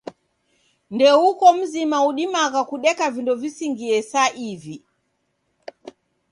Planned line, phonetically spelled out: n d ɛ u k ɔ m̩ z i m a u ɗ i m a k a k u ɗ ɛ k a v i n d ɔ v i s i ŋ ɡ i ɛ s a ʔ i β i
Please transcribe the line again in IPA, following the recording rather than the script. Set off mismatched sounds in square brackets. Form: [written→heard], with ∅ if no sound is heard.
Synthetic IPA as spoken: n d ɛ u k ɔ m̩ z i m a u ɗ i m a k a k u ɗ ɛ k a v i n d ɔ v i s i ŋ ɡ i ɛ s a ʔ i [β→v] i